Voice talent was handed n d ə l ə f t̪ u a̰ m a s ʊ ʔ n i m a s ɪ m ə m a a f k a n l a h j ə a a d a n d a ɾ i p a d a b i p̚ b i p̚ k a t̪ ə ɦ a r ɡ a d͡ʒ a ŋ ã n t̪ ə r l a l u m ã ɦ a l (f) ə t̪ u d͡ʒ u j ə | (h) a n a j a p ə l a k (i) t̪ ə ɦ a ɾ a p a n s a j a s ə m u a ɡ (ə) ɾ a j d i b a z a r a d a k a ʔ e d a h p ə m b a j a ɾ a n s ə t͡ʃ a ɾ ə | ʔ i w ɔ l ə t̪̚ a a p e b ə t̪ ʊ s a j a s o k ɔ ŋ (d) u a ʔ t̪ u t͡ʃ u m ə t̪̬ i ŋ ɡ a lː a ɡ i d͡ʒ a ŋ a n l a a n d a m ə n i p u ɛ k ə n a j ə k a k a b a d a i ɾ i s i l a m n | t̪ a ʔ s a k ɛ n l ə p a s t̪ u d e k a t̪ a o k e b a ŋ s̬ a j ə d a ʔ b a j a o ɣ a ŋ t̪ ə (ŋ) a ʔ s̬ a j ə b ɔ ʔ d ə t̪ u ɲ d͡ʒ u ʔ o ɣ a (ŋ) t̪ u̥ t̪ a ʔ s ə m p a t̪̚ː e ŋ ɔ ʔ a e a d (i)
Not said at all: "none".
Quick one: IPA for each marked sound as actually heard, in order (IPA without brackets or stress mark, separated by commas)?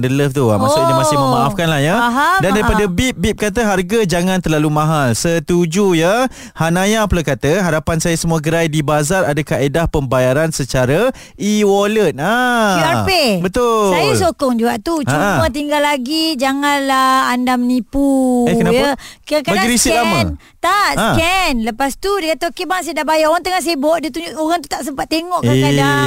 s, h, a, ə, d͡ʒ, ŋ, ŋ, a